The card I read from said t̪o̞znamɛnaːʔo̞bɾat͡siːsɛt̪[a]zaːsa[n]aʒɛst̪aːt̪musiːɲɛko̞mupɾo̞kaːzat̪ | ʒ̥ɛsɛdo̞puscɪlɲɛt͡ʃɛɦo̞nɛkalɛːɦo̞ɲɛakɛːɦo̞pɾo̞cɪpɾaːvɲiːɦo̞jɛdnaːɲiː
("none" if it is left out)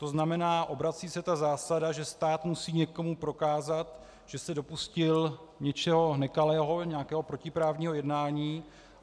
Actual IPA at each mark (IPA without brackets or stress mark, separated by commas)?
a, d